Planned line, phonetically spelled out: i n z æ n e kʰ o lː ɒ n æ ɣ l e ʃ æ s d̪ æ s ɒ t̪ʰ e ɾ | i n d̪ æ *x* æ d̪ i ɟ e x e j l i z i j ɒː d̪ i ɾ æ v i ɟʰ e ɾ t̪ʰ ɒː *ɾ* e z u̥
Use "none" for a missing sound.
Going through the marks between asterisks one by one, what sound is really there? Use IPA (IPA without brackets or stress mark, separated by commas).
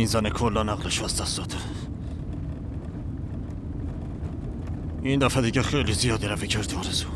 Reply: f, ɾ